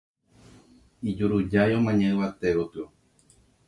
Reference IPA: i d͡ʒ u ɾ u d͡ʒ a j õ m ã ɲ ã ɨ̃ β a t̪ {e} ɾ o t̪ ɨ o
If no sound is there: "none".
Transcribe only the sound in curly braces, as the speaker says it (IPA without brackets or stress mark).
e